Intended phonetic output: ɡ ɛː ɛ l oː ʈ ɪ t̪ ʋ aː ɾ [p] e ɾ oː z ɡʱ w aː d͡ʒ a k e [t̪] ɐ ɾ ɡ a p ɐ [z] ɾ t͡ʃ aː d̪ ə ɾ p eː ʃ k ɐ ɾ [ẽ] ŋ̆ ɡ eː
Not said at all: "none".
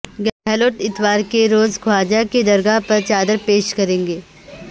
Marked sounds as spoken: k, d̪, none, ẽː

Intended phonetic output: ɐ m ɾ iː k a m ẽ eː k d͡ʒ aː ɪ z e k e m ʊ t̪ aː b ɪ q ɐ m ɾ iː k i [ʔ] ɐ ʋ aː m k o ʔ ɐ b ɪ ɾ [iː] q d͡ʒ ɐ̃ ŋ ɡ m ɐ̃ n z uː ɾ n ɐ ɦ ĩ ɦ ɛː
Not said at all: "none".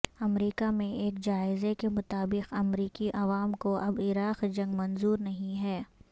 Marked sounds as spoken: ʔ, aː

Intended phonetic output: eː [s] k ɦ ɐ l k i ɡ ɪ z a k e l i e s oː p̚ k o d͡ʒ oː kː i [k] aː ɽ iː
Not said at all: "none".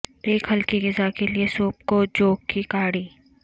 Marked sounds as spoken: none, k

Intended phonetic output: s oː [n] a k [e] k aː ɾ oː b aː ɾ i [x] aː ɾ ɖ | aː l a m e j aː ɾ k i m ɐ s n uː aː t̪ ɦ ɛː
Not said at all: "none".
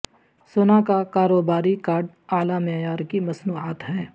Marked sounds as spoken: n, a, k

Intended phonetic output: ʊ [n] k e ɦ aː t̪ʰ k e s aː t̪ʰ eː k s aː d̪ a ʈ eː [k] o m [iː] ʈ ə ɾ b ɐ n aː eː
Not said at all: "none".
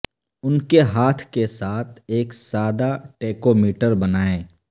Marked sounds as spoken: n, k, iː

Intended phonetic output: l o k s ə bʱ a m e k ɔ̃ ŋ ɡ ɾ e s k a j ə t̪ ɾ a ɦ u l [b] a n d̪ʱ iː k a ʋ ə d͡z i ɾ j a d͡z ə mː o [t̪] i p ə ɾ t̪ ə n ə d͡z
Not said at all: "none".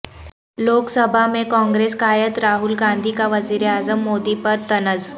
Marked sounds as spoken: ɡ, d̪

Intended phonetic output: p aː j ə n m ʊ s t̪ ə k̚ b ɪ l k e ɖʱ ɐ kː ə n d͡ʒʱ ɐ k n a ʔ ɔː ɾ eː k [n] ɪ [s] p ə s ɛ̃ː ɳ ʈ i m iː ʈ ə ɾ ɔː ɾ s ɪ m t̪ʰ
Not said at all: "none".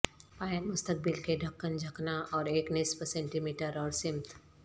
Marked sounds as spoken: n, s

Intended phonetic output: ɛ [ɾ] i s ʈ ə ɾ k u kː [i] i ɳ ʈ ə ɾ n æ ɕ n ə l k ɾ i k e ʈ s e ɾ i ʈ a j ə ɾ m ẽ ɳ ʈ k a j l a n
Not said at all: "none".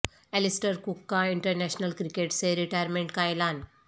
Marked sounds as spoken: l, a

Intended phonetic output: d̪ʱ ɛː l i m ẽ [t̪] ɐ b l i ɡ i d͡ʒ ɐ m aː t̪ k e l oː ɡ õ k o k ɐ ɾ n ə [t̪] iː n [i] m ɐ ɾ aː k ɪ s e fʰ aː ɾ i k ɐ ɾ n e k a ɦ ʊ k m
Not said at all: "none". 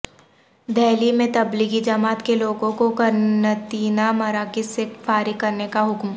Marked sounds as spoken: t̪, t̪, a

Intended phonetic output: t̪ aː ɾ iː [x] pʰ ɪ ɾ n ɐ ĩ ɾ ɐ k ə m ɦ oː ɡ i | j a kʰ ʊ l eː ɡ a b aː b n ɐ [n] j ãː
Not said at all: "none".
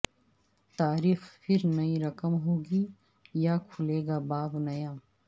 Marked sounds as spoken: x, none

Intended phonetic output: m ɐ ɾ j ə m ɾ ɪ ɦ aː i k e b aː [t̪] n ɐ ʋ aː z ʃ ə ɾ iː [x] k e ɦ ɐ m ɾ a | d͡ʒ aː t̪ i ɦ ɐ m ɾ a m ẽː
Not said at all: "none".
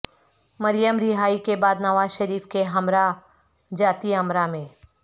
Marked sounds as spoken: d̪, f

